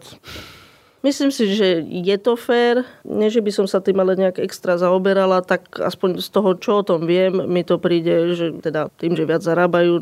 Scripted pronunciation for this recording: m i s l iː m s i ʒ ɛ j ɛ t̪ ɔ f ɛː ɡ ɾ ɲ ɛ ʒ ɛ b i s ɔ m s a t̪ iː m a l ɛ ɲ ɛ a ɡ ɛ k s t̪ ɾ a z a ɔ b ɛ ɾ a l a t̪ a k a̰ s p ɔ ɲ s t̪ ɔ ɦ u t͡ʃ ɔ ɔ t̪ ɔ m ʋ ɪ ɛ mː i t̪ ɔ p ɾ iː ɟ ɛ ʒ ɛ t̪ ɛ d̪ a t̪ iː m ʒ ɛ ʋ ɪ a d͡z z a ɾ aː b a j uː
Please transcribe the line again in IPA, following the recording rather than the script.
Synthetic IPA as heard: m i s l iː m s i ʒ ɛ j ɛ t̪ ɔ f ɛː ɾ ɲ ɛ ʒ ɛ b i s ɔ m s a t̪ iː m a l ɛ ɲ ɛ a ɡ ɛ k s t̪ ɾ a z a ɔ b ɛ ɾ a l a t̪ a k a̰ s p ɔ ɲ s t̪ ɔ ɦ ɔ t͡ʃ ɔ ɔ t̪ ɔ m ʋ ɪ ɛ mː i t̪ ɔ p ɾ iː ɟ ɛ ʒ ɛ t̪ ɛ d̪ a t̪ iː m ʒ ɛ ʋ ɪ a d͡z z a ɾ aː b a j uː